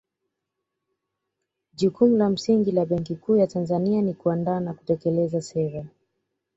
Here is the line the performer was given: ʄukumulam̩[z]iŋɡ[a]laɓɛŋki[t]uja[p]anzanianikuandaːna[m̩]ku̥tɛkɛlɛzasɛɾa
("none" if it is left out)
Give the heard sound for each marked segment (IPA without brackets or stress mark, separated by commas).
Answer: s, i, k, t, none